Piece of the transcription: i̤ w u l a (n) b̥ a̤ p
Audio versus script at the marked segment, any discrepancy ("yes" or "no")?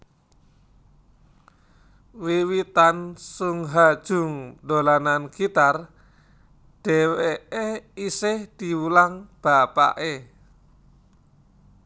yes